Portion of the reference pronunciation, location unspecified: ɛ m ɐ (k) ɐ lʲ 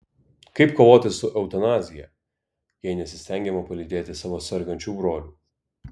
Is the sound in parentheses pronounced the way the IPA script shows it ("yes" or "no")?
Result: no